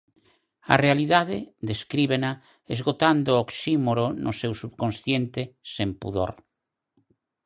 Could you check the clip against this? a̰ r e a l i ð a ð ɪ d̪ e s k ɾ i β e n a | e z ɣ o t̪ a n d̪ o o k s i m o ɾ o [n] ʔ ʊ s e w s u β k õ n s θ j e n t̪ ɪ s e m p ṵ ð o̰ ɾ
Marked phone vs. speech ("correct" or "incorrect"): correct